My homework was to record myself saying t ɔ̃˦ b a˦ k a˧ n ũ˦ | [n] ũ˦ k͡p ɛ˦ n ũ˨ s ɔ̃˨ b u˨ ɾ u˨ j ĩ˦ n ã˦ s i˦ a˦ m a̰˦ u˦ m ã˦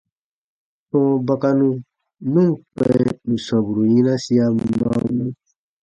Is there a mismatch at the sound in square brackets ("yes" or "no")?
no